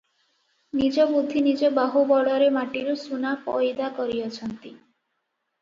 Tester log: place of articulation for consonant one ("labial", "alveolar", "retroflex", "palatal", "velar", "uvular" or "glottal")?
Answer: alveolar